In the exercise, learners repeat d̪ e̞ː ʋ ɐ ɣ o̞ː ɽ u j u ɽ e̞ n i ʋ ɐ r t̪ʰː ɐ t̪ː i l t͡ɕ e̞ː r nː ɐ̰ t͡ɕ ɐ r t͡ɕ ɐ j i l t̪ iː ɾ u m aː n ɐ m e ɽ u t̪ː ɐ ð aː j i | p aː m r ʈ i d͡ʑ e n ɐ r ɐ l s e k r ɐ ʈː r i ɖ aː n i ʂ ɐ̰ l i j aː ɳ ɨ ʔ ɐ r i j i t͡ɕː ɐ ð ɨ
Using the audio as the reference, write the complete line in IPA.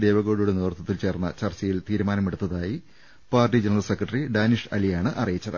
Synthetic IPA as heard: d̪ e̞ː ʋ ɐ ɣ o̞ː ɽ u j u ɽ e̞ n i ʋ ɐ r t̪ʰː ɐ t̪ː i l t͡ɕ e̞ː r nː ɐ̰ t͡ɕ ɐ r t͡ɕ ɐ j i l t̪ iː ɾ u m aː n ɐ m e ɽ u t̪ː ɐ ð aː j i | p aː r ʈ i d͡ʑ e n ɐ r ɐ l s e k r ɐ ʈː r i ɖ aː n i ʂ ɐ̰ l i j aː ɳ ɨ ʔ ɐ r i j i t͡ɕː ɐ ð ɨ